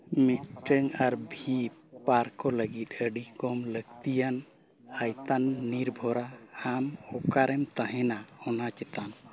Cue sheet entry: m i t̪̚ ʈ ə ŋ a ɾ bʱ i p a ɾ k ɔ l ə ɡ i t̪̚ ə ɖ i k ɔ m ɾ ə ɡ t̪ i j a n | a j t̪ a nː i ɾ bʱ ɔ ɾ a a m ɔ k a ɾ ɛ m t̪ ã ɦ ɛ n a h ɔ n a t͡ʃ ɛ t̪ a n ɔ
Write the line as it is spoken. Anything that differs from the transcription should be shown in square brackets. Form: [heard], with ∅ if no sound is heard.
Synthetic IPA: m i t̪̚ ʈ ə ŋ a ɾ bʱ i p a ɾ k ɔ l ə ɡ i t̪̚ ə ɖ i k ɔ m [l] ə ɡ t̪ i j a n | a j t̪ a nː i ɾ bʱ ɔ ɾ a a m ɔ k a ɾ ɛ m t̪ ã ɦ ɛ n a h ɔ n a t͡ʃ ɛ t̪ a n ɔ